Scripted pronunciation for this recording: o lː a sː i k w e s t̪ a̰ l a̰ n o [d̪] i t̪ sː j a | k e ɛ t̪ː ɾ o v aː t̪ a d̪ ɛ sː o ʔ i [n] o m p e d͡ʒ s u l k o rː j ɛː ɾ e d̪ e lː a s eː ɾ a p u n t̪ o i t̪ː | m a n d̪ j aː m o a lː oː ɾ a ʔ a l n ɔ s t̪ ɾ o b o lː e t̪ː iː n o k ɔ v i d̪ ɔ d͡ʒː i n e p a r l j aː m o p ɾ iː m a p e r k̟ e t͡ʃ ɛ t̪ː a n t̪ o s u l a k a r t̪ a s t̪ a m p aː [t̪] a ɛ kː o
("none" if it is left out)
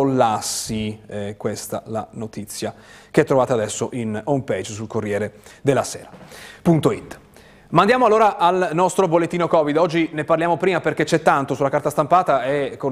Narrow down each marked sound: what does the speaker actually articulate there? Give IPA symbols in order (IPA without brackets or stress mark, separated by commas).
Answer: t̪, n, t̪